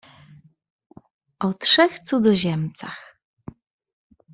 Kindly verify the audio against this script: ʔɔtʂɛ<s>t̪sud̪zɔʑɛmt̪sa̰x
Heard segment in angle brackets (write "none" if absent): x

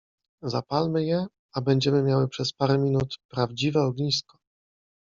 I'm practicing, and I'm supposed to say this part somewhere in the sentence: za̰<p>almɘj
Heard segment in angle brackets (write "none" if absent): p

